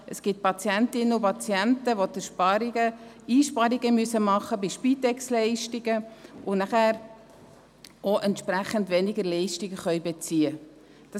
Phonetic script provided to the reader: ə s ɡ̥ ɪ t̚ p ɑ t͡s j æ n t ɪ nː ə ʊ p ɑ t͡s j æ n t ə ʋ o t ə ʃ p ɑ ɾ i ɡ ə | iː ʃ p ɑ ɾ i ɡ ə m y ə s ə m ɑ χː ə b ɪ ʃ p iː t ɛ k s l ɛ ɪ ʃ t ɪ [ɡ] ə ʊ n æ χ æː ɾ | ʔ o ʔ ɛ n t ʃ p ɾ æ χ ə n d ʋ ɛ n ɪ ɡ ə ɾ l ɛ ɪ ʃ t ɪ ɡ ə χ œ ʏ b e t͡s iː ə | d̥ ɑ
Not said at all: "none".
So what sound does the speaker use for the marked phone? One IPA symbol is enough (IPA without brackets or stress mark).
ɡ